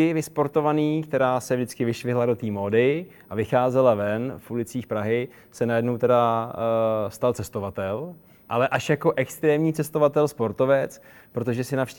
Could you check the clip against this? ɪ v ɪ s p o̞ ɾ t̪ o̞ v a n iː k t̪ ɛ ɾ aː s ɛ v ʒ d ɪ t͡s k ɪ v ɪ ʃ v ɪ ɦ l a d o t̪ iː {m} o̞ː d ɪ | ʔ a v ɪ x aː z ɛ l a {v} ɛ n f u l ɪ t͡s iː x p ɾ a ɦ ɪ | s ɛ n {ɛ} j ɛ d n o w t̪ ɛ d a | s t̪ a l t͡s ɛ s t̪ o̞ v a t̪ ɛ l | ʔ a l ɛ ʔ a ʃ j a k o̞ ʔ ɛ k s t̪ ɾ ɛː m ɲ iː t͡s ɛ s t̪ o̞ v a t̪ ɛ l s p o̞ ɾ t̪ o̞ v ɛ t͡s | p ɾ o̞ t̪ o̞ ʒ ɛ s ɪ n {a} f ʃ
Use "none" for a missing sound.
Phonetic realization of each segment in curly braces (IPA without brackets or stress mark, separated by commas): m, v, a, a